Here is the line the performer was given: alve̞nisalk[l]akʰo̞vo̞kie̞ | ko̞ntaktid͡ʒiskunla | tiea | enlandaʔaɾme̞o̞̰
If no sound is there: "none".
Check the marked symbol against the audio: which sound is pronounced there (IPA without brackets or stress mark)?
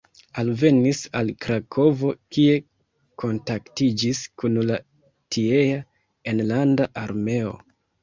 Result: ɾ